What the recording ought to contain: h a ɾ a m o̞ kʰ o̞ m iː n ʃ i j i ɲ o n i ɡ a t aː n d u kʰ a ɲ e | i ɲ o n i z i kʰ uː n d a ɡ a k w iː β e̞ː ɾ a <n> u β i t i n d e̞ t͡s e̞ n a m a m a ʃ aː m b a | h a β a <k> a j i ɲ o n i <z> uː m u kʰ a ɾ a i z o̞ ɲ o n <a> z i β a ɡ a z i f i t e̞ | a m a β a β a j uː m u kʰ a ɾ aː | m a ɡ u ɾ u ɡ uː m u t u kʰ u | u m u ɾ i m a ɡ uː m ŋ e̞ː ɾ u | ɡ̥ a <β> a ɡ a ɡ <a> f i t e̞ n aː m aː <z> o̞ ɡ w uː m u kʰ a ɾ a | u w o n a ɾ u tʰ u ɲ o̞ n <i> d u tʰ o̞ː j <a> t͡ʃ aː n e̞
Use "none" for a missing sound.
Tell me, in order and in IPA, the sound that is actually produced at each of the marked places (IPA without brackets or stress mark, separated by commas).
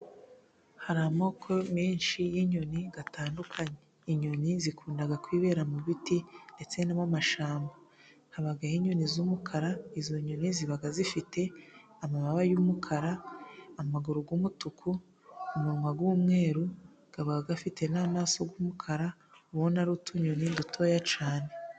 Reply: m, ɡ, z, i, β, a, s, i, a